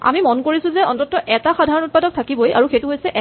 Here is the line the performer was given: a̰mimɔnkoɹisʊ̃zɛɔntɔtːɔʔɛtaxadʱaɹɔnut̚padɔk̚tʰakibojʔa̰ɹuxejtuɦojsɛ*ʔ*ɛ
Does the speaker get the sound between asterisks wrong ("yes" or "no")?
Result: no